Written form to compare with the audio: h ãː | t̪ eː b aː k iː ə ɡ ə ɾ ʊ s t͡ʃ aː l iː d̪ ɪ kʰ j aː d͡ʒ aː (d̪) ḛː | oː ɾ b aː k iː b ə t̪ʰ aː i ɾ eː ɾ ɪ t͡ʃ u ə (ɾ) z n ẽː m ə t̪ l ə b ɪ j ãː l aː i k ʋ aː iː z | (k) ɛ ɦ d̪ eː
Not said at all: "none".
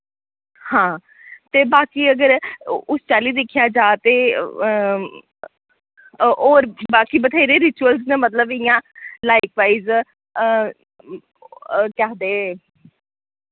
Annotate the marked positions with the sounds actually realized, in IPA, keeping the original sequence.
t̪, l, k

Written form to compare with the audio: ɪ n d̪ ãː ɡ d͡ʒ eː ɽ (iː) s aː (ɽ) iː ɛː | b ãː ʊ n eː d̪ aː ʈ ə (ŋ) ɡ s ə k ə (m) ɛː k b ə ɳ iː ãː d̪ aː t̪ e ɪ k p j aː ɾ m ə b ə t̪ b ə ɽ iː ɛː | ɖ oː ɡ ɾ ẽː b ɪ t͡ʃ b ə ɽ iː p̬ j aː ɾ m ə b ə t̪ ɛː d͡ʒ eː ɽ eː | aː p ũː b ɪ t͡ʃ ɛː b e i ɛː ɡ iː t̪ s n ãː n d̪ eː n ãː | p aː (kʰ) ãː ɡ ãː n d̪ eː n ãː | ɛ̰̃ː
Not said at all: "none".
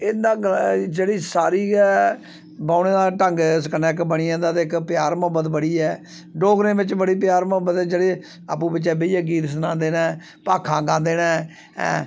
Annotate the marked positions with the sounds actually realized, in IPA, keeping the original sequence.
iː, ɾ, ŋ, n, kʰ

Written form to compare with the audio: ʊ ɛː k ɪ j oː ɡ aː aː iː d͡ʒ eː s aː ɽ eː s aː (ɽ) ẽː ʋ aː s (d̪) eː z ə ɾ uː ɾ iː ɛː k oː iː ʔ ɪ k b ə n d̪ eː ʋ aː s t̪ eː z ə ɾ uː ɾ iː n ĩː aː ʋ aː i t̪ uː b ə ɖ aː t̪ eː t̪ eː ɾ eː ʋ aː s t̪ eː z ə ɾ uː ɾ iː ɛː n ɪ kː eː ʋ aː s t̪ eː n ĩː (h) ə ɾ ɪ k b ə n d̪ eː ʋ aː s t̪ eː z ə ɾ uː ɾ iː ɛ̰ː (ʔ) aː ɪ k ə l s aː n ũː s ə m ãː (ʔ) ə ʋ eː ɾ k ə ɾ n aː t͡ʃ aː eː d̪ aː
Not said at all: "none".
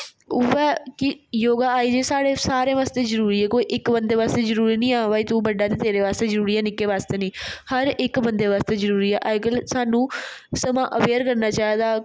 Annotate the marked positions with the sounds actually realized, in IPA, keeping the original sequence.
ɾ, t̪, h, ʔ, ʔ

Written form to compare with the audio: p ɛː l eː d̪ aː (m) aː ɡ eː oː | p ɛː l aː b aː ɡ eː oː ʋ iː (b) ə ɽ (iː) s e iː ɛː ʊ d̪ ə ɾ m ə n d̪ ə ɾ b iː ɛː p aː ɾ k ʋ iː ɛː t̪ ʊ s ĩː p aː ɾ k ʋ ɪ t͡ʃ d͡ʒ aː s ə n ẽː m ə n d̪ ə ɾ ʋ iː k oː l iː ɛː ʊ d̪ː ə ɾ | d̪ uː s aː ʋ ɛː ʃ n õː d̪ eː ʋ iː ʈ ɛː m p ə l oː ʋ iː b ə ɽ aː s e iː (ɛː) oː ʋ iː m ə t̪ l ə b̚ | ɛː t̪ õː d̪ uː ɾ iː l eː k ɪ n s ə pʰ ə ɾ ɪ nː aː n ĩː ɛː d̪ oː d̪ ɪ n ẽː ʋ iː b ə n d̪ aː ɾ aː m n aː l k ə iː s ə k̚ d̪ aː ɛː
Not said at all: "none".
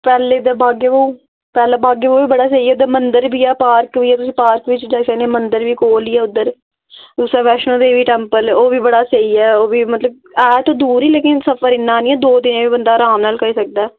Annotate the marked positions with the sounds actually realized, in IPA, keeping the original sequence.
b, b, aː, ɛː

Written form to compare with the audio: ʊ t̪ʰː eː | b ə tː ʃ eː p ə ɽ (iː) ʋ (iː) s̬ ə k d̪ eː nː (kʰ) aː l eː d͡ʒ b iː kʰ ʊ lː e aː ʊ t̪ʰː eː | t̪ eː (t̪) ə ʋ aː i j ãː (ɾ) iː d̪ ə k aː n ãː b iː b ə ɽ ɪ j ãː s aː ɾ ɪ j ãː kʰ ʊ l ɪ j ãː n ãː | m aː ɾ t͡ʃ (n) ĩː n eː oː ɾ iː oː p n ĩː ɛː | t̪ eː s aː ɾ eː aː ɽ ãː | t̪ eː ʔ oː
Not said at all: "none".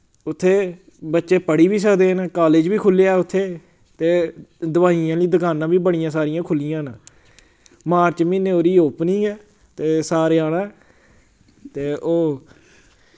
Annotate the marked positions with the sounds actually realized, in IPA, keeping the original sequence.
iː, iː, k, d̪, l, m

